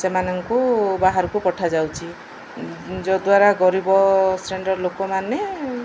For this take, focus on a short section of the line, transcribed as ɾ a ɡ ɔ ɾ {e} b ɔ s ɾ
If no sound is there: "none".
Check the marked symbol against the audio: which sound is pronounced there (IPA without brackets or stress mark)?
i